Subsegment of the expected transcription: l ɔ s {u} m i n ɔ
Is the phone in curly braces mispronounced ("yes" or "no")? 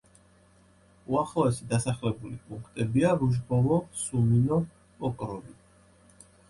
no